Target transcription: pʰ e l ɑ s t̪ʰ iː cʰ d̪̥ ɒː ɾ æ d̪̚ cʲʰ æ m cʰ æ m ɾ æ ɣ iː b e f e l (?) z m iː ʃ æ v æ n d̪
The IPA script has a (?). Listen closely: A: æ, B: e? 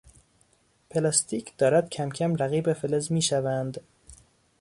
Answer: B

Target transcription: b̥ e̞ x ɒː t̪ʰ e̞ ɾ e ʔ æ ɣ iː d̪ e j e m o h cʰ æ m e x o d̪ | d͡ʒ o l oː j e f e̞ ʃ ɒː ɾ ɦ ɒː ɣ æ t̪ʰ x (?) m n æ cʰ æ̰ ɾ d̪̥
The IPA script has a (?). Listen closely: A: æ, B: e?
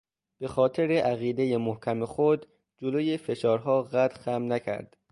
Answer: A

